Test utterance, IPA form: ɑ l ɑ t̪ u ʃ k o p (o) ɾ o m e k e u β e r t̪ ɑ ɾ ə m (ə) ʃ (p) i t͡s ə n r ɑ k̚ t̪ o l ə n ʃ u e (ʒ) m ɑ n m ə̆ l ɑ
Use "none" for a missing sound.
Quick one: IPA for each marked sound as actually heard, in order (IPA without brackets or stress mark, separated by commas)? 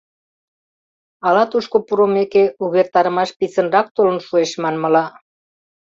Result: u, ɑ, p, ʃ